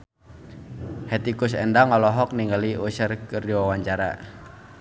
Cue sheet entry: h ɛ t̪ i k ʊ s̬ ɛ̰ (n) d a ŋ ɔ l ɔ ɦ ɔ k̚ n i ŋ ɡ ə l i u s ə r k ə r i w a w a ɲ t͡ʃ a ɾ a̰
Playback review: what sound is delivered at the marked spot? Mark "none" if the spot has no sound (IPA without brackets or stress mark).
n